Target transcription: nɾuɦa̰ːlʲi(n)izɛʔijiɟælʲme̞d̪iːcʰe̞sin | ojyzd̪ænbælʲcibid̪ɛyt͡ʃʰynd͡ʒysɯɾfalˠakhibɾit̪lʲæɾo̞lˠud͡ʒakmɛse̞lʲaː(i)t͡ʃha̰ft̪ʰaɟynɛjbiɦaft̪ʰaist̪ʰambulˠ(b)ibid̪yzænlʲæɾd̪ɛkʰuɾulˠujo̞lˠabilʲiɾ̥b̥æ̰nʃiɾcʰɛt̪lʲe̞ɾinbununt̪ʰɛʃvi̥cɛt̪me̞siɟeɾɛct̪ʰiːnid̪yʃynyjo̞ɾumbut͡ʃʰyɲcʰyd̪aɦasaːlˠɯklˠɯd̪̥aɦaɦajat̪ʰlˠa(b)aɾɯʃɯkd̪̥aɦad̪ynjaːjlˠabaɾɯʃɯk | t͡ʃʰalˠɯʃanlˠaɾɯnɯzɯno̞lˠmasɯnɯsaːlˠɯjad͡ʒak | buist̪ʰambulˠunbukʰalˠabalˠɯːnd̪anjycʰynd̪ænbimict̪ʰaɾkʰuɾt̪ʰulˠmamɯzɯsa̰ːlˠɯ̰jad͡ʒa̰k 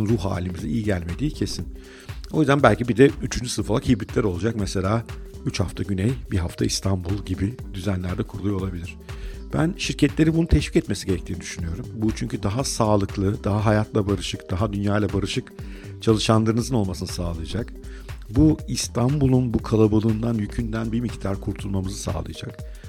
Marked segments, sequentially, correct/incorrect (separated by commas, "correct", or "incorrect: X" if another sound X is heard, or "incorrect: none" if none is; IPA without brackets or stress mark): incorrect: m, incorrect: y, incorrect: ɟ, correct